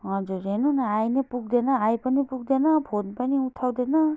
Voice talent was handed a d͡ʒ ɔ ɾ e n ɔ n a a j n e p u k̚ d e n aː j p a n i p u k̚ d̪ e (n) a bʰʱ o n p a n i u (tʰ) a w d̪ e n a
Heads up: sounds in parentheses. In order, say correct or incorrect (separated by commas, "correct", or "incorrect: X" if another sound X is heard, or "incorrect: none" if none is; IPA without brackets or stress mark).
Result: correct, correct